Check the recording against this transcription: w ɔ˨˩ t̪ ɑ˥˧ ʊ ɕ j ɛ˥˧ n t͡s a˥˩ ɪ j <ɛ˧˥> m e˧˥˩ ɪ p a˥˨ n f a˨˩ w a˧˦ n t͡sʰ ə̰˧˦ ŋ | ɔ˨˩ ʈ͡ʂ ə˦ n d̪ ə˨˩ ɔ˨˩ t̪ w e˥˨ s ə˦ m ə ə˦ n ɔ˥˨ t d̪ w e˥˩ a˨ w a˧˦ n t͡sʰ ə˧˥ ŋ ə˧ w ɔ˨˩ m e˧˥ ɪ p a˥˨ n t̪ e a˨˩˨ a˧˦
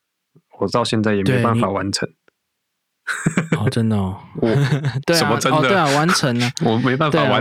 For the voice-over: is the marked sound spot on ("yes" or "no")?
no